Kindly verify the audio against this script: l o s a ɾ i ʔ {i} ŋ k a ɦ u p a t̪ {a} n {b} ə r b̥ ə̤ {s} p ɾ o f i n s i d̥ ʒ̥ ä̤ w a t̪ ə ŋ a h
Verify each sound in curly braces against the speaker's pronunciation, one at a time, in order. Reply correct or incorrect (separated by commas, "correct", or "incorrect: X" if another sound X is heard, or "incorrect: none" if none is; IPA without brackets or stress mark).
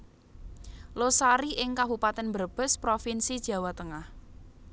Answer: incorrect: ɪ, incorrect: ɛ, correct, correct